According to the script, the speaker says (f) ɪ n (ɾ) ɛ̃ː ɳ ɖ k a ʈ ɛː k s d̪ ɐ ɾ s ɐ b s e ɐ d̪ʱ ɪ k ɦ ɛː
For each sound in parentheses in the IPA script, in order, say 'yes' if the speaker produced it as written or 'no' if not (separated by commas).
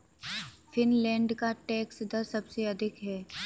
yes, no